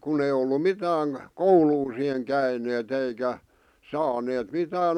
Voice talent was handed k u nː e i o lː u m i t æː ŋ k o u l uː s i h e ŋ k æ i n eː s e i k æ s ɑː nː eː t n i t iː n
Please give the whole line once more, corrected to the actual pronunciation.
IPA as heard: k u n e i o lː u m i t æː ŋ k o u l uː s i h e ŋ k æ i n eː t e i k æ s ɑː n eː t m i t æː n